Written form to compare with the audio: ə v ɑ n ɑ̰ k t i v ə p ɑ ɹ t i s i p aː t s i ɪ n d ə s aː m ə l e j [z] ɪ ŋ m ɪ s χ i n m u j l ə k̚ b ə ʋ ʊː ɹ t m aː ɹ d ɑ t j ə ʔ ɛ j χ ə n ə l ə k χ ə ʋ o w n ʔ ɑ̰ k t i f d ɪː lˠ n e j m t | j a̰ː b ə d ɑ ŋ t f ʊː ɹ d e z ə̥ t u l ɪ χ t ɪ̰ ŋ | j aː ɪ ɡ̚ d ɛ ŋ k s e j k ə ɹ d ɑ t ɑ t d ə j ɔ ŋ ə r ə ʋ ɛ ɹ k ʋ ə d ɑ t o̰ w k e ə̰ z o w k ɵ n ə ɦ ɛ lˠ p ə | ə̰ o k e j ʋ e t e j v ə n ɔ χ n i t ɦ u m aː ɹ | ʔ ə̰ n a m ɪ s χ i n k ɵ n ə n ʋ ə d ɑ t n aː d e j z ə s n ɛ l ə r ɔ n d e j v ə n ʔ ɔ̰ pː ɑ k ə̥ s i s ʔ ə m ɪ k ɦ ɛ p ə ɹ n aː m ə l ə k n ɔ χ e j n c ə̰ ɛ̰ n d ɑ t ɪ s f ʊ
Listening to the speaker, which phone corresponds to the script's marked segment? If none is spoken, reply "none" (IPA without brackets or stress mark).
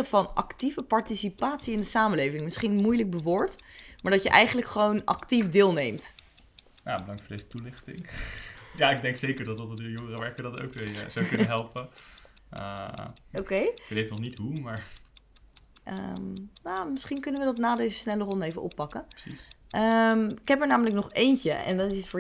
v